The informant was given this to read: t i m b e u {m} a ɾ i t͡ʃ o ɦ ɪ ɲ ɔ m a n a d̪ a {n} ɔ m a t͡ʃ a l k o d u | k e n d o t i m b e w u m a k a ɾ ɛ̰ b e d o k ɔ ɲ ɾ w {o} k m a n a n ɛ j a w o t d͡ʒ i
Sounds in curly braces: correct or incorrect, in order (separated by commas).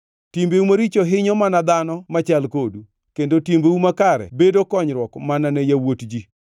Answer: correct, correct, incorrect